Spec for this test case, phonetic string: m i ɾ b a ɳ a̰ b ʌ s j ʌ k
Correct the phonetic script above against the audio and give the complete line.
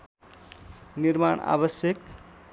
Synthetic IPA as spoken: n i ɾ m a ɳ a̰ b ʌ s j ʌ k